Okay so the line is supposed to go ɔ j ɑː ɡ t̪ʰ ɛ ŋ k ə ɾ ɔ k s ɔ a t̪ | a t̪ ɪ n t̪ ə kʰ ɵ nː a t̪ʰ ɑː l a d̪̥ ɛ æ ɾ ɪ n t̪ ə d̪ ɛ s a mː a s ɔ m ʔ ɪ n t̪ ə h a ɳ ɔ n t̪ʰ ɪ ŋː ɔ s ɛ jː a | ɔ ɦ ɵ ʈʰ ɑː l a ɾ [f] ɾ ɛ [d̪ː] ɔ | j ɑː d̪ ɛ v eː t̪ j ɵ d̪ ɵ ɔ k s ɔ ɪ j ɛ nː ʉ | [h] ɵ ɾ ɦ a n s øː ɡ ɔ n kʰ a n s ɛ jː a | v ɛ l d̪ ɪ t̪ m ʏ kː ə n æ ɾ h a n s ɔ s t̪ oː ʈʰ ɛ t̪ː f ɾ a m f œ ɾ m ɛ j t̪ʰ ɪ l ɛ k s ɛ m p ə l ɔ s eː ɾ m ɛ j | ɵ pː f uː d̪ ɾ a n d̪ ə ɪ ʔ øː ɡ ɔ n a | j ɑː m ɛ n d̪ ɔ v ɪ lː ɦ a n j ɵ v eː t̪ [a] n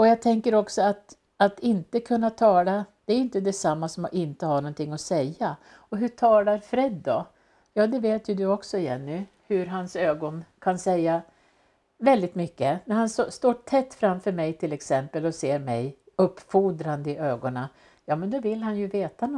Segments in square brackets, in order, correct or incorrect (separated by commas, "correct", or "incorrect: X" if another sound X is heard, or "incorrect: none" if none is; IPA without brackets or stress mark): correct, correct, correct, correct